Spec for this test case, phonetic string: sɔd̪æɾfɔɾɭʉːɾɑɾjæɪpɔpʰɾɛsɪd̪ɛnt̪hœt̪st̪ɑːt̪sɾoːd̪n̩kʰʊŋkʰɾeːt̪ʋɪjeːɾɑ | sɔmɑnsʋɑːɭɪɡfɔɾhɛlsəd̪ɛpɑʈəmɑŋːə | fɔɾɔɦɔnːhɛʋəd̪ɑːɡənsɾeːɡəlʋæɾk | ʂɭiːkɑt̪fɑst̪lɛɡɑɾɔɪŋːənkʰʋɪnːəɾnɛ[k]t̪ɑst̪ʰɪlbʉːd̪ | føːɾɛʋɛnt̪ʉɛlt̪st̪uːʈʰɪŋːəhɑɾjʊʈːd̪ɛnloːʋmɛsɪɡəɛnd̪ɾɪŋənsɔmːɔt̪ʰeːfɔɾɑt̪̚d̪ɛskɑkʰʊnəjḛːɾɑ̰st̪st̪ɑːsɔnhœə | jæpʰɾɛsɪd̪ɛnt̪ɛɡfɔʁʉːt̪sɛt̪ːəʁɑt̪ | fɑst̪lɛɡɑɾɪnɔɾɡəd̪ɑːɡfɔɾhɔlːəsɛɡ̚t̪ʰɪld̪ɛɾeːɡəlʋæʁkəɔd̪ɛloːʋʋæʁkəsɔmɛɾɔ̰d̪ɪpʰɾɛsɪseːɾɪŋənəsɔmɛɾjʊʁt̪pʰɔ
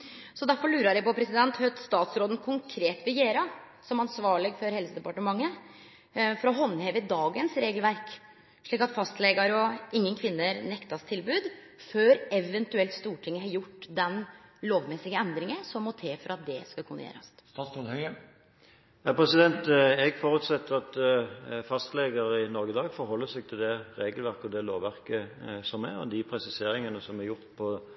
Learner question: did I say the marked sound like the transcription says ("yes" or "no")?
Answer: yes